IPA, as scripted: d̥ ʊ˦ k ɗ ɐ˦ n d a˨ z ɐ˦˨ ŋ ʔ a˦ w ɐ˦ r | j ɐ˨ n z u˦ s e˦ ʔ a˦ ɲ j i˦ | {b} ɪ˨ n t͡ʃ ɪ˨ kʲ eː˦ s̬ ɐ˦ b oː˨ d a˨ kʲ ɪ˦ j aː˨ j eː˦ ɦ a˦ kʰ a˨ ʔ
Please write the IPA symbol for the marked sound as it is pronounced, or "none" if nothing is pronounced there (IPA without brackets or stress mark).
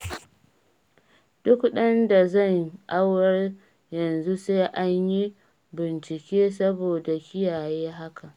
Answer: b